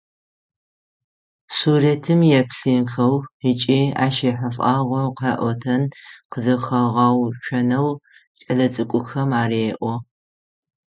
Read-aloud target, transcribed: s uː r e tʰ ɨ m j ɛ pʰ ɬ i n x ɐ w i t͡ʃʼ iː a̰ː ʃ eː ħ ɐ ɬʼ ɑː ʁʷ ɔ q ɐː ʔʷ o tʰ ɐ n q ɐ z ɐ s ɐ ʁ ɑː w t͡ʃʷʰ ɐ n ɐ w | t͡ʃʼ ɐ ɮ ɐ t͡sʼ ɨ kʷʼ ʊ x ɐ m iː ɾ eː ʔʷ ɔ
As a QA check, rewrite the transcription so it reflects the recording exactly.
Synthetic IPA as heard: s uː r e tʰ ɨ m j ɛ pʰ ɬ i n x ɐ w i t͡ʃʼ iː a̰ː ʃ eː ħ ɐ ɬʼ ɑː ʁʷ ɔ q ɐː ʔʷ ɔ tʰ ɐ n q ə z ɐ x ɐ ʁ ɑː w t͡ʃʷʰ ɐ n ɐ w | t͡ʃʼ ɐ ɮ ɐ t͡sʼ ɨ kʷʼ ʊ x ɐ m aː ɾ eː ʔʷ ɔ